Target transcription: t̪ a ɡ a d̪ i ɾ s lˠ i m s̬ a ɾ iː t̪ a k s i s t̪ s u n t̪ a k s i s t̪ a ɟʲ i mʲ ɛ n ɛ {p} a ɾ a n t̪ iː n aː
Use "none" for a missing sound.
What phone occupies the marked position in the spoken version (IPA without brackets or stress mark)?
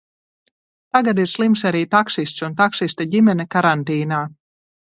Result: k